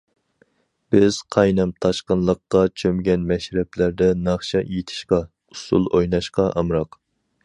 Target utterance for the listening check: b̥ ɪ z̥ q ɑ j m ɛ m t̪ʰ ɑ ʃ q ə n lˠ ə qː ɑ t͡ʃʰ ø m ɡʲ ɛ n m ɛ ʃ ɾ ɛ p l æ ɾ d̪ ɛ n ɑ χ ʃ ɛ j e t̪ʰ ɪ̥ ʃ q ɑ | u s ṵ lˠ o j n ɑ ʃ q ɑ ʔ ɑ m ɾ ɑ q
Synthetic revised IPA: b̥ ɪ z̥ qʰ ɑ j n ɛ m t̪ʰ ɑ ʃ q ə n lˠ ə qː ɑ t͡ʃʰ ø m ɡʲ ɛ n m ɛ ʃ ɾ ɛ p l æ ɾ d̪ ɛ n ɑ χ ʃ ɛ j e t̪ʰ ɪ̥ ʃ q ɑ | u s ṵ lˠ o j n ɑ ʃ q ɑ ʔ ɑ m ɾ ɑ q